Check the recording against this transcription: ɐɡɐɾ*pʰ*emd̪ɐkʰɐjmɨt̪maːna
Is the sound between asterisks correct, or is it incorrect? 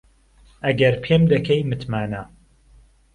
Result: correct